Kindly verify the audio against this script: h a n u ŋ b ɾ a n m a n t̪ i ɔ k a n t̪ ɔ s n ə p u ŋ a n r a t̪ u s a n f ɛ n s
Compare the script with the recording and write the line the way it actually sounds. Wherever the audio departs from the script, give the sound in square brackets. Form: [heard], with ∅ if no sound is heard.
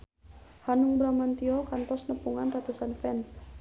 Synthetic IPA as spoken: h a n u ŋ b ɾ a [∅] m a n t̪ i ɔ k a n t̪ ɔ s n ə p u ŋ a n r a t̪ u s a n f ɛ n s